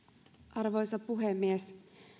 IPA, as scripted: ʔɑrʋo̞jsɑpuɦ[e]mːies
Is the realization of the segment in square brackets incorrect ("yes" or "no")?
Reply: no